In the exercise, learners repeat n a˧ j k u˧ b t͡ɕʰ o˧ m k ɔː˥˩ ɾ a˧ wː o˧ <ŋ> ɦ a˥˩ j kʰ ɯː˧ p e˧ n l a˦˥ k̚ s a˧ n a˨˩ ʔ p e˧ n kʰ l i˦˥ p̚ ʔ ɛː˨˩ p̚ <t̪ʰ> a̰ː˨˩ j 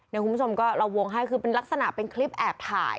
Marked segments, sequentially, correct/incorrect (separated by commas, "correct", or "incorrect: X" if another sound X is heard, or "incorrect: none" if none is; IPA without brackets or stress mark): correct, correct